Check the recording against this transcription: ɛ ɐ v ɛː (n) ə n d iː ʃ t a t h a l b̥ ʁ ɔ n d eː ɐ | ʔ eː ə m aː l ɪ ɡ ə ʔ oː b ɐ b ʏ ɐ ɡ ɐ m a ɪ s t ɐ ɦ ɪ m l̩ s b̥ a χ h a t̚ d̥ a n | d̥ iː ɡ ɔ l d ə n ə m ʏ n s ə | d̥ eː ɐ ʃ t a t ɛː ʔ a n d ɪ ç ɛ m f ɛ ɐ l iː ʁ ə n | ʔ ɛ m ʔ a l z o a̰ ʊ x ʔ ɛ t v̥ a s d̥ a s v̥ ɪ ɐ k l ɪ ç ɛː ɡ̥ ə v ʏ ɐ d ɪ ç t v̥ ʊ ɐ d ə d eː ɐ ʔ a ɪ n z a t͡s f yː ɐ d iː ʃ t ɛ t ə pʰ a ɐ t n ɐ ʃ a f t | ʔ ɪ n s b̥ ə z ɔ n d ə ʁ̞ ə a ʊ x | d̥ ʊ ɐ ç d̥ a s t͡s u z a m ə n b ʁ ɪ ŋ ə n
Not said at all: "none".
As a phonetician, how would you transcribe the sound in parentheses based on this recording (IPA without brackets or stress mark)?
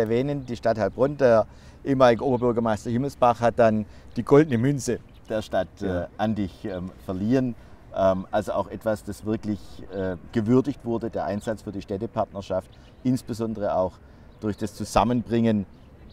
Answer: n